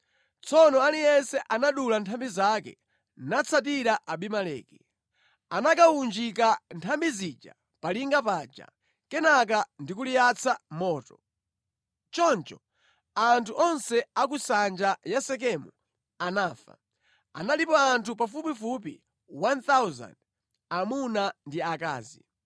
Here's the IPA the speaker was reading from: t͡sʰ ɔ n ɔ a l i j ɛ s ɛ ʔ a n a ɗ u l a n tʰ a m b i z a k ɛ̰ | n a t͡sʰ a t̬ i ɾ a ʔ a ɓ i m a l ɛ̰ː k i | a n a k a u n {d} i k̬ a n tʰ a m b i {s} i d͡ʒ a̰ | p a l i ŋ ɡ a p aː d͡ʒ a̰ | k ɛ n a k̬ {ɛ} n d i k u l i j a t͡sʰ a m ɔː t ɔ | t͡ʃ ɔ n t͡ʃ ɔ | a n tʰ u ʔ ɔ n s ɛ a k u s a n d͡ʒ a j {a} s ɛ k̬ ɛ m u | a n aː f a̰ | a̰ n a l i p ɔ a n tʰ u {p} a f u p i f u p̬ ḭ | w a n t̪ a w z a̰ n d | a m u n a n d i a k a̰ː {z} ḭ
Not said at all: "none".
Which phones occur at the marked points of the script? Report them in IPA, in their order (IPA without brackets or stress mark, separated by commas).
d͡ʒ, z, a, a, p, z